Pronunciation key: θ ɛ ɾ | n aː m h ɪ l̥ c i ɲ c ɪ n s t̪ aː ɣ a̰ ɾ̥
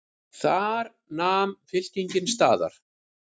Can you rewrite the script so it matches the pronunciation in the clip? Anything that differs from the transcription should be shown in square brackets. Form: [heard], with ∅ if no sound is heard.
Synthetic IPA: θ [a] ɾ | n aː m [f] ɪ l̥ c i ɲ c ɪ n s t̪ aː [ð] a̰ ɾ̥